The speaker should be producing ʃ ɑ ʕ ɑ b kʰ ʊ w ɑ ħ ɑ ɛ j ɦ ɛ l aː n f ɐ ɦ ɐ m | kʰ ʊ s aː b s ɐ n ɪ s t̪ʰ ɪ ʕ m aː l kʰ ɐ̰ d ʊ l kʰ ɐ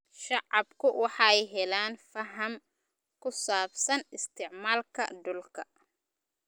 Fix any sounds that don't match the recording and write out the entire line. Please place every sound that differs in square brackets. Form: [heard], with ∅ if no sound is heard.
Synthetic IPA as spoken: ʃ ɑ ʕ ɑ b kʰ ʊ w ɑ ħ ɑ ɛ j ɦ ɛ l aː n f ɐ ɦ ɐ m | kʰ ʊ s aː b s ɐ n ɪ s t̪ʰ ɪ ʕ m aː l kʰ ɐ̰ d ʊ l kʰ ɐ